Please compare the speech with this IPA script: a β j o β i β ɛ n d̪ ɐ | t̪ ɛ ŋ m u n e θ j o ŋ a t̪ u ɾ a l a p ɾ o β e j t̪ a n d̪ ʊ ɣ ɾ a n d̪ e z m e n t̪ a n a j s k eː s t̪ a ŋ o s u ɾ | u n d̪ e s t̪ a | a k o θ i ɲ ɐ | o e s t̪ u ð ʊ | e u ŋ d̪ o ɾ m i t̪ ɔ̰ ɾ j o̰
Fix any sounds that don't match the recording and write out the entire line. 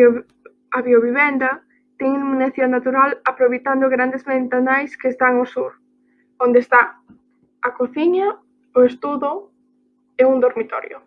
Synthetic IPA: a β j o β i β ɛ n d̪ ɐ | t̪ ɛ ŋ m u n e θ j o n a t̪ u ɾ a l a p ɾ o β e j t̪ a n d̪ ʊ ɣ ɾ a n d̪ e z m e n t̪ a n a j s k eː s t̪ a ŋ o s u ɾ | o n d̪ e s t̪ a | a k o θ i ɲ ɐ | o e s t̪ u ð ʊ | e u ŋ d̪ o ɾ m i t̪ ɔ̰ ɾ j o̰